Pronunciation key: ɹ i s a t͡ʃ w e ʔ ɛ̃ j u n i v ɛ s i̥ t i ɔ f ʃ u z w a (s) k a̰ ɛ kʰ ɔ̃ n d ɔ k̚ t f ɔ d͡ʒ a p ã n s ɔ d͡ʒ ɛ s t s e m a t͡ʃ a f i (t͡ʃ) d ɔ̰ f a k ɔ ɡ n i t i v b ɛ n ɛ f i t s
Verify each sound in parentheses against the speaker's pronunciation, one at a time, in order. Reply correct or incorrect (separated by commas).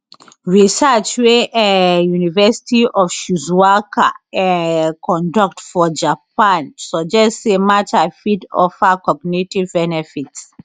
incorrect, incorrect